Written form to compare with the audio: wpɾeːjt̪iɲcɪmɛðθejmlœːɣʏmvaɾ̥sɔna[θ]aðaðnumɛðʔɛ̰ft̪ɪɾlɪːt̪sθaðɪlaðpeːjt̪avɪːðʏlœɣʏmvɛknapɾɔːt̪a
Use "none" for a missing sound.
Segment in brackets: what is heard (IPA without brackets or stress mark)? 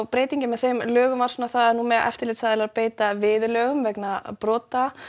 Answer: θ